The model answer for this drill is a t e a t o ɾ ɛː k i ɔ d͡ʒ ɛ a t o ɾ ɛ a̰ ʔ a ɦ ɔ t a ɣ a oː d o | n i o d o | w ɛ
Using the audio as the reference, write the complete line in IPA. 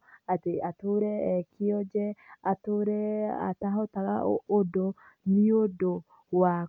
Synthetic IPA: a t e a t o ɾ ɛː k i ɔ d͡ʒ ɛ a t o ɾ ɛ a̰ t a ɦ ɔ t a ɣ a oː d o | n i o d o | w a

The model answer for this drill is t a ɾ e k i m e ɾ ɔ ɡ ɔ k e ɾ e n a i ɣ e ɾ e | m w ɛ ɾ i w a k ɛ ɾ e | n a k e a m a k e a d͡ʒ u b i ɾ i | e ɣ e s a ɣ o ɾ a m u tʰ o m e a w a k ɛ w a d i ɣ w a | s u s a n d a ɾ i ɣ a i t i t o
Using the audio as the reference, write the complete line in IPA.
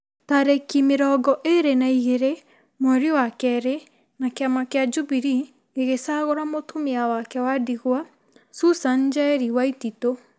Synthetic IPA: t a ɾ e k i m e ɾ ɔ ɡ ɔ ʔ e ɾ e n a i ɣ e ɾ e | m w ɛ ɾ i w a k ɛ ɾ e | n a k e a m a k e a d͡ʒ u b i ɾ i | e ɣ e s a ɣ o ɾ a m o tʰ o m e a w a k ɛ w a d i ɣ w a | s u s a n d͡ʒ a ɾ i w a i t i t o

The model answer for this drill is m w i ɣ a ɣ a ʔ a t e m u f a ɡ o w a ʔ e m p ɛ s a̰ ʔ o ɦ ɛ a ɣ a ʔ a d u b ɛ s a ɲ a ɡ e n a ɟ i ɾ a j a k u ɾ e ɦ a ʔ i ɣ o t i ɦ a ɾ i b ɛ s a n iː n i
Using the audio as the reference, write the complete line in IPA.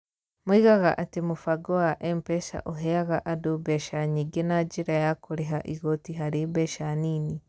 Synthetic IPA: m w i ɣ a ɣ a ʔ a t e m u f a ɡ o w a ʔ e m p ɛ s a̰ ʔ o ɦ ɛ a ɣ a ʔ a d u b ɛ ʃ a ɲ i ɡ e n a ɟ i ɾ a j a k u ɾ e ɦ a ʔ i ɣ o t i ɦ a ɾ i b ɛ ʃ a n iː n i

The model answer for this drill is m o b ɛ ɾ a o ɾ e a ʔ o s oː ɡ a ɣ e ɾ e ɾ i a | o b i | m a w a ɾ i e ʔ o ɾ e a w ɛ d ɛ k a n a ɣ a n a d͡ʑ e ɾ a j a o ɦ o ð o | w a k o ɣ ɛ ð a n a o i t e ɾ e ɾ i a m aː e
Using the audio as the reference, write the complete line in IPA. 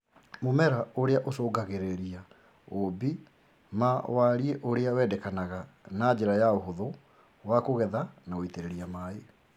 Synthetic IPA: m o m ɛ ɾ a o ɾ e a ʔ o s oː ɡ a ɣ e ɾ e ɾ i a | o b i | m a w a ɾ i e ʔ o ɾ e a w ɛ d ɛ k a n a ɣ a n a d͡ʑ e ɾ a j a o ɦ o ð o | w a k o ɣ ɛ ð a n a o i t e ɾ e ɾ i a m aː e

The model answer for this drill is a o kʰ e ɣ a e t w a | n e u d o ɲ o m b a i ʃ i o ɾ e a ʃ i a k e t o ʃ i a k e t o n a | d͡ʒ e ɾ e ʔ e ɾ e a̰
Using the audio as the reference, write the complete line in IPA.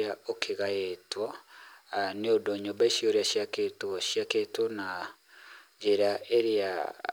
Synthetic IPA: a o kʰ e ɣ a e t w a | n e o d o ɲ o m b a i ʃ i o ɾ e a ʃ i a k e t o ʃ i a k e t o n a | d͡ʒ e ɾ a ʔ e ɾ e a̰

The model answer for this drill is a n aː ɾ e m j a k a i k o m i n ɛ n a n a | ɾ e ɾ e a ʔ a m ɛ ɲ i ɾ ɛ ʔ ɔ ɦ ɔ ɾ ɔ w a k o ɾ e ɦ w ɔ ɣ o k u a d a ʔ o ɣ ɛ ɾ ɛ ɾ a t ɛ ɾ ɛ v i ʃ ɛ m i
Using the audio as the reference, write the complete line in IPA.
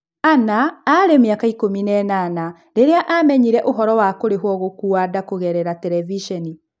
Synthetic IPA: a n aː ɾ e m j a k a i k o m i n ɛ n a n a | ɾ e ɾ e a ʔ a m ɛ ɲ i ɾ ɛ ʔ o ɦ ɔ ɾ ɔ w a k o ɾ e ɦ w ɔ ɣ o k u a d a k o ɣ ɛ ɾ ɛ ɾ a t ɛ ɾ ɛ v i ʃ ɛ n i

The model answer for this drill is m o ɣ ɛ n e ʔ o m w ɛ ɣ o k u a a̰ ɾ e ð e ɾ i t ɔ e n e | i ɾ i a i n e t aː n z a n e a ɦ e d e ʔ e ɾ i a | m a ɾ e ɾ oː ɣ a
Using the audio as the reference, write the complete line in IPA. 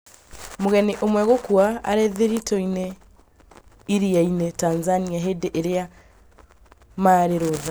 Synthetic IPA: m o ɣ ɛ n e ʔ o m w ɛ ɣ o k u a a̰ ɾ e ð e ɾ i t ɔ i n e | i ɾ i a i n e t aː n z a n i a ɦ e d e ʔ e ɾ e a | m a ɾ e ɾ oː ð a

